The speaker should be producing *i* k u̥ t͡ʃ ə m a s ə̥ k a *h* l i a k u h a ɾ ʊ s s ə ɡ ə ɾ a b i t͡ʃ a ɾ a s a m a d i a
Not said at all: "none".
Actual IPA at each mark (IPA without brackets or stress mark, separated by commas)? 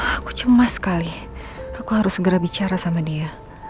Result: a, none